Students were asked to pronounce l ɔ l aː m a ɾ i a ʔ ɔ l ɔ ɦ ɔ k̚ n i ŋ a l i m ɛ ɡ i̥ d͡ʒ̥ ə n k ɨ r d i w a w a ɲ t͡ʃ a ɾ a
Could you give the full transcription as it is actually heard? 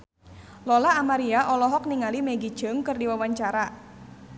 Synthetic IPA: l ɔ l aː m a ɾ i a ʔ ɔ l ɔ ɦ ɔ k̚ n i ŋ a l i m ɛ ɡ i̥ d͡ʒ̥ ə ŋ k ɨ r d i w a w a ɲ t͡ʃ a ɾ a